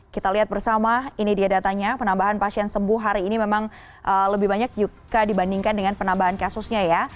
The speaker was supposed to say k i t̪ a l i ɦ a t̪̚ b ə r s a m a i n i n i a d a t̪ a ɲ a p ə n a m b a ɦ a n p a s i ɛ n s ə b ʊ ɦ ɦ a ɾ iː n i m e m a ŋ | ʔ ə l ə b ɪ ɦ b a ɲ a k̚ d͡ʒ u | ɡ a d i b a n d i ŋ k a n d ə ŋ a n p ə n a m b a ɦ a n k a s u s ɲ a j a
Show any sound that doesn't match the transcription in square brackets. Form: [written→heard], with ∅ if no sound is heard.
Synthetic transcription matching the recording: k i t̪ a l i ɦ a t̪̚ b ə r s a m a i n i [n→d] i a d a t̪ a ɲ a p ə n a m b a ɦ a n p a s i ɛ n s ə b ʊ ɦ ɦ a ɾ iː n i m e m a ŋ | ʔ ə l ə b ɪ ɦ b a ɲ a k̚ d͡ʒ u | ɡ a d i b a n d i ŋ k a n d ə ŋ a n p ə n a m b a ɦ a n k a s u s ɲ a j a